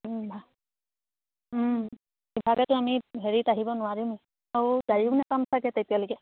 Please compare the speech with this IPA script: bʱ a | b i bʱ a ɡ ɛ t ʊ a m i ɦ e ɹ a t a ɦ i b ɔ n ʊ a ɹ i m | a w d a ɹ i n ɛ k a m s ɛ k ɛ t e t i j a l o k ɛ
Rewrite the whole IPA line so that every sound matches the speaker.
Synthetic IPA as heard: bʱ a | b i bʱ a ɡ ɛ t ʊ a m i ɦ e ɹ i t a ɦ i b ɔ n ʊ a ɹ i m | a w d a ɹ i n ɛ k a m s a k ɛ t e t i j a l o k ɛ